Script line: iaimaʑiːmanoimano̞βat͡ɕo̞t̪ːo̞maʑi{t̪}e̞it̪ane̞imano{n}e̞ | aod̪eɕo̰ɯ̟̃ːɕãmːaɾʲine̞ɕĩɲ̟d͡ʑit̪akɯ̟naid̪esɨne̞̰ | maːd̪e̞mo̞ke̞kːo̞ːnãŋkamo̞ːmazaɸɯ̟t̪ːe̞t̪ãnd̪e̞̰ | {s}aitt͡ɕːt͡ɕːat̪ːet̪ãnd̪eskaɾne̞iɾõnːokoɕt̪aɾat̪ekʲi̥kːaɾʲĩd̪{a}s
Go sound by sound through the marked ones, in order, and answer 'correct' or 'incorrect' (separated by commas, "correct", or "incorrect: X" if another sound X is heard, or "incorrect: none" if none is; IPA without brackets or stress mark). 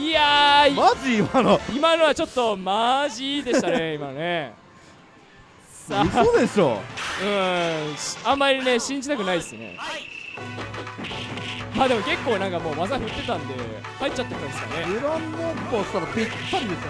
incorrect: d̪, correct, incorrect: h, incorrect: e